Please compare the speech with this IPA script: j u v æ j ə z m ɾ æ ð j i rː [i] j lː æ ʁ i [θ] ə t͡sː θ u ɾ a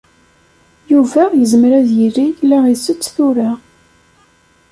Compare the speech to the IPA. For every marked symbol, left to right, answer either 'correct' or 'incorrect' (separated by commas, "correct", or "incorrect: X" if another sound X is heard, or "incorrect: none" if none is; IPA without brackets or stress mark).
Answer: correct, incorrect: s